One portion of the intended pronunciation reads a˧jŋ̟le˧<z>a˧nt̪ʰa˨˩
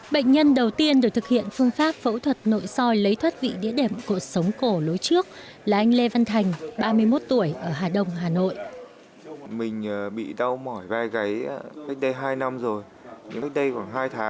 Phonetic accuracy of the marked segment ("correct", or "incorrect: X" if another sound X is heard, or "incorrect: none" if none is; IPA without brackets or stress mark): incorrect: v